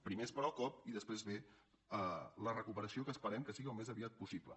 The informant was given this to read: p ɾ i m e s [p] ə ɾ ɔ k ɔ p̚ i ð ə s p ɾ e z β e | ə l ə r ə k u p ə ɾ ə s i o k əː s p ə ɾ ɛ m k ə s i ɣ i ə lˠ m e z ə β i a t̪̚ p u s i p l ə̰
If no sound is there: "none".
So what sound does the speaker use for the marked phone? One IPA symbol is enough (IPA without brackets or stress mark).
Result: p